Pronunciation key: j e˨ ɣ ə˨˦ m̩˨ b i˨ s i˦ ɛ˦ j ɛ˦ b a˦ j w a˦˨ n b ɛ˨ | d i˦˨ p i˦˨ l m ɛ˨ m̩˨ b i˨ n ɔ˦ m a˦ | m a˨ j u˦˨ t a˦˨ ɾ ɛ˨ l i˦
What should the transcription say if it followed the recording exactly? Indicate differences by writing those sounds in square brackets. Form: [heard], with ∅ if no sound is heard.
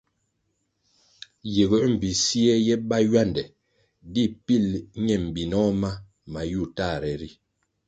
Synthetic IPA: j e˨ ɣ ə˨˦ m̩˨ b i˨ s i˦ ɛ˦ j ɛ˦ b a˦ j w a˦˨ n [d] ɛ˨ | d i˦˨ p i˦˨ l [ɲ] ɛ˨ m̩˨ b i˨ n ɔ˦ m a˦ | m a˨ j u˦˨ t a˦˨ ɾ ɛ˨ [ɾ] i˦